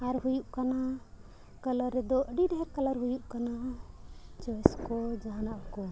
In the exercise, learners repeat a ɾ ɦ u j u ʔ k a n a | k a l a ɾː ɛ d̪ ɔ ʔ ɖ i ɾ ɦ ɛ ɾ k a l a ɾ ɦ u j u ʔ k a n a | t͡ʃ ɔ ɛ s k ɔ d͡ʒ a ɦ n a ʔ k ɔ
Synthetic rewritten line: a ɾ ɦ u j u ʔ k a n a | k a l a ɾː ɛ d̪ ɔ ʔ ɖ i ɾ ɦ ɛ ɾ k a l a ɾ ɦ u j u ʔ k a n a | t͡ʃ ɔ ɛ s k ɔ d͡ʒ a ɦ n a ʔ k ɔ